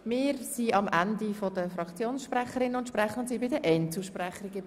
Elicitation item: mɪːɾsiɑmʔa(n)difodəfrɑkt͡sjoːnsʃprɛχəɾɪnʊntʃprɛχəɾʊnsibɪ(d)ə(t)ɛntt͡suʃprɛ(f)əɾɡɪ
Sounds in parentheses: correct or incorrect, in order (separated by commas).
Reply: correct, correct, incorrect, incorrect